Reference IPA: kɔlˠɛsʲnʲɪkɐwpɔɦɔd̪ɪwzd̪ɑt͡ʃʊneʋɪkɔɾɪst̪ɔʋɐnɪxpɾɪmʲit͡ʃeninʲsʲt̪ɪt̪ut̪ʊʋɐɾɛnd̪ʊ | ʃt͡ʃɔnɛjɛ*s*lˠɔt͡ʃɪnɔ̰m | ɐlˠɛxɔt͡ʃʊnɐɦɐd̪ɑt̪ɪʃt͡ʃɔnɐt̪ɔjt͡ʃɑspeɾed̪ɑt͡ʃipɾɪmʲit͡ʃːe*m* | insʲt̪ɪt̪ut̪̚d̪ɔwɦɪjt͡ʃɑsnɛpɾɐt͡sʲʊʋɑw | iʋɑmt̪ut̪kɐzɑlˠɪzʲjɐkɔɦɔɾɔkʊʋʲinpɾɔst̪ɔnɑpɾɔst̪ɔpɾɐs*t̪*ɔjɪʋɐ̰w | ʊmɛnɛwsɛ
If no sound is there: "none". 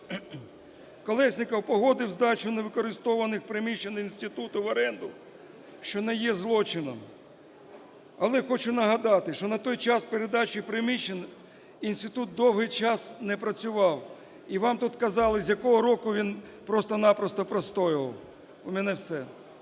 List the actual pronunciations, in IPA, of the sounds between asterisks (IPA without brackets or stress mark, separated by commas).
z, n, t̪